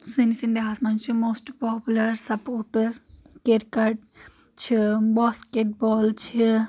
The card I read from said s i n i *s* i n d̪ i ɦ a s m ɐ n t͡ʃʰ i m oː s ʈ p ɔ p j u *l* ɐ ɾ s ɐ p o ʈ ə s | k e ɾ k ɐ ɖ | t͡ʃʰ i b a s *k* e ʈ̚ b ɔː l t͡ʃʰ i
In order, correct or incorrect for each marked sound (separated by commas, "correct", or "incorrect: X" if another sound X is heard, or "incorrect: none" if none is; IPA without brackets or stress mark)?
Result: correct, correct, correct